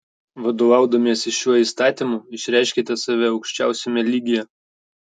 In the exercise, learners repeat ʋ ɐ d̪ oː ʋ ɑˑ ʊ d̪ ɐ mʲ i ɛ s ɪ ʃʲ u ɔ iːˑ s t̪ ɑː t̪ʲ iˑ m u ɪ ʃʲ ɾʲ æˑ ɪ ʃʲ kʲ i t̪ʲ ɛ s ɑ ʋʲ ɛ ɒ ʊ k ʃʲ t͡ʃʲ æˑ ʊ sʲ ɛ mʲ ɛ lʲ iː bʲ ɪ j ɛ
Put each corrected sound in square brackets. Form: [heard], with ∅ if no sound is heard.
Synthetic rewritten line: ʋ ɐ d̪ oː ʋ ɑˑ ʊ d̪ ɐ mʲ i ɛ s ɪ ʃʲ u ɔ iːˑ s t̪ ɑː t̪ʲ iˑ m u ɪ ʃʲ ɾʲ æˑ ɪ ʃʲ kʲ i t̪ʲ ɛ s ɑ ʋʲ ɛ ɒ ʊ k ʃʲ t͡ʃʲ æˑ ʊ sʲ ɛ mʲ ɛ lʲ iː [ɡʲ] ɪ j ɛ